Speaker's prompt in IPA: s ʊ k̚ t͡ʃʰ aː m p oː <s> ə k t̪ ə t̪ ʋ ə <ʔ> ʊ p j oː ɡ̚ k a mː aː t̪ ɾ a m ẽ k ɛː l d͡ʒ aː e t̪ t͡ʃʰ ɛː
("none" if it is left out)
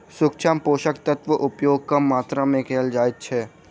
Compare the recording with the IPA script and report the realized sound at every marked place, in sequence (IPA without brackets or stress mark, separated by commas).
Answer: ʃ, ʔ